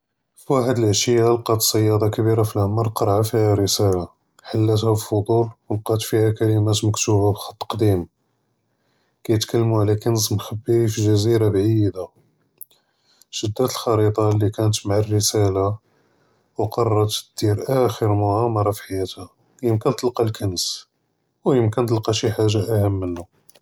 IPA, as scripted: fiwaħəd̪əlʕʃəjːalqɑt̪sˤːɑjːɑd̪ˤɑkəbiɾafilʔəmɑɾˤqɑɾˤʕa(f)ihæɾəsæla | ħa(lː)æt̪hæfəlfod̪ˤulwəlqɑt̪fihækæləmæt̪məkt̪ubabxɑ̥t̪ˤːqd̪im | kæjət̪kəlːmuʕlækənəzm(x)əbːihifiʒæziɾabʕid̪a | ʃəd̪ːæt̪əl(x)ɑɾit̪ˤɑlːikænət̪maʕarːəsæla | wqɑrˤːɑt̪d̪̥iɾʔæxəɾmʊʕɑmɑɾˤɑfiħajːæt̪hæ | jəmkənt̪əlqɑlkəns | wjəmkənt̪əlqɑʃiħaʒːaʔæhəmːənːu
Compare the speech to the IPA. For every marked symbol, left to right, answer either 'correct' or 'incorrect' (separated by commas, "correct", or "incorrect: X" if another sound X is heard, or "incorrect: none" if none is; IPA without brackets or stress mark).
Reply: correct, correct, correct, correct